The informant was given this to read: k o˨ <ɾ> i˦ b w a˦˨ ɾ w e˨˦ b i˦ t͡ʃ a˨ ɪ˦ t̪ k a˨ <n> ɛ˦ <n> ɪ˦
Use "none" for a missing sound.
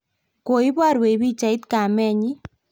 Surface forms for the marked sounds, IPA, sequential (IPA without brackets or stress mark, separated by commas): none, m, ɲ